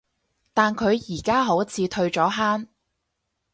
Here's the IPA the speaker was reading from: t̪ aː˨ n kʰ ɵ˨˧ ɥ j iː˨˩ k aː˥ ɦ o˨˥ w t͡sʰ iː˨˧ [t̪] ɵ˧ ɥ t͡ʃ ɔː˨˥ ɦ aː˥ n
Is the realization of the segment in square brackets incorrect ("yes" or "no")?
yes